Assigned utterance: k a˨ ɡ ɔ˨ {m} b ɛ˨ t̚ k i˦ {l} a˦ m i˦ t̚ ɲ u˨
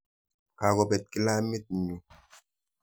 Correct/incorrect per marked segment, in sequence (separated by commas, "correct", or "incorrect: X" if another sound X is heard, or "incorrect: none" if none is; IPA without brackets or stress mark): incorrect: none, correct